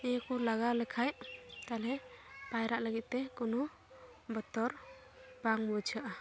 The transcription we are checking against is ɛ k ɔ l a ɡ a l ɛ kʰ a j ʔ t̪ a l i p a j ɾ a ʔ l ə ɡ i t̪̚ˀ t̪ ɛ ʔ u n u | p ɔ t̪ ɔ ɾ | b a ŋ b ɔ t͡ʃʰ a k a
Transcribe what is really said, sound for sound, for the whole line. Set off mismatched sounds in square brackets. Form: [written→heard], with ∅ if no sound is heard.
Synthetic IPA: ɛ k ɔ l a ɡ a l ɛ kʰ a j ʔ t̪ a l [i→ɛ] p a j ɾ a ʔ l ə ɡ i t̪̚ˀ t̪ ɛ [ʔ→k] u n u | [p→b] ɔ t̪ ɔ ɾ | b a ŋ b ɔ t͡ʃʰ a [k→ʔ] a